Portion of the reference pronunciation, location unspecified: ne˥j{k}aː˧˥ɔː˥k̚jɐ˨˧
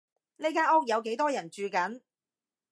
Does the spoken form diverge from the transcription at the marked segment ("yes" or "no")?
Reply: no